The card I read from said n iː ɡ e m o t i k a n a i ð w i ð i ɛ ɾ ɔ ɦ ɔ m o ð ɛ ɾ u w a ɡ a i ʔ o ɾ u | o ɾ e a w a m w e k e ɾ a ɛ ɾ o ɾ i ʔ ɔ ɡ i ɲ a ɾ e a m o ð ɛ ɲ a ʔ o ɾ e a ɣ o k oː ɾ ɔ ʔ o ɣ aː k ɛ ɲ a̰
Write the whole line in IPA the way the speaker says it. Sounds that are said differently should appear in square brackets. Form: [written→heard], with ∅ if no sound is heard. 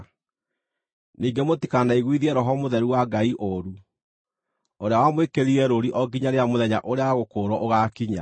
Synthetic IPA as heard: n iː ɡ e m o t i k a n a i [ð→ɣ] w i ð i ɛ ɾ ɔ ɦ ɔ m o ð ɛ ɾ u w a ɡ a i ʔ o ɾ u | o ɾ e a w a m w e k e ɾ [a→i] ɛ ɾ o ɾ i ʔ ɔ ɡ i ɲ a ɾ e a m o ð ɛ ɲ a ʔ o ɾ e a ɣ o k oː ɾ ɔ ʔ o ɣ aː k [ɛ→i] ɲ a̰